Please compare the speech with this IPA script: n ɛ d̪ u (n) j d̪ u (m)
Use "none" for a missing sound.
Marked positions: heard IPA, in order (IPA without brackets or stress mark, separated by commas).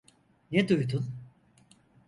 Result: none, n